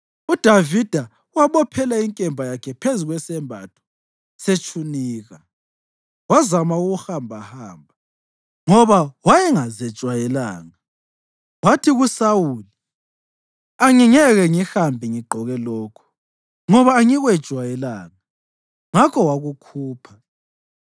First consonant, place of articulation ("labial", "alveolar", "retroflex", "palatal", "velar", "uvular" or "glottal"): alveolar